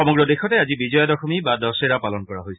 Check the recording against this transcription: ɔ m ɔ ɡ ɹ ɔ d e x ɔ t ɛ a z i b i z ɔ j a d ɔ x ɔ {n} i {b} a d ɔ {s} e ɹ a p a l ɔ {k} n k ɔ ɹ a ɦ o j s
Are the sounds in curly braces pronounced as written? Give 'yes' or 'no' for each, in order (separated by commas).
no, yes, yes, no